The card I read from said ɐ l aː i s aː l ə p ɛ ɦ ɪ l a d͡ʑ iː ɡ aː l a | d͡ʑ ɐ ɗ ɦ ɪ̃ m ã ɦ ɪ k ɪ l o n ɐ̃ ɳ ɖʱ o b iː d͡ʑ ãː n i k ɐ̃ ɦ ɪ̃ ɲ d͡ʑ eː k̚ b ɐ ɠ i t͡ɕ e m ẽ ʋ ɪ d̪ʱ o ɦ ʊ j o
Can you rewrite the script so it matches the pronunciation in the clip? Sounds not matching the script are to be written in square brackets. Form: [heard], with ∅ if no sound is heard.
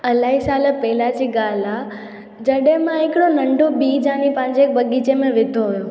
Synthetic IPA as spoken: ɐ l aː i s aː l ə p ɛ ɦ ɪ l a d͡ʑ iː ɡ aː l a | d͡ʑ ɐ ɗ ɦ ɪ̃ m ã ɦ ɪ k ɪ [ɽ] o n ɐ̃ ɳ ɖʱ o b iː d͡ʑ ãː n i [p] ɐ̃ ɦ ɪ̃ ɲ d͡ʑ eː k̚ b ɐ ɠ i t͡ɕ e m ẽ ʋ ɪ d̪ʱ o ɦ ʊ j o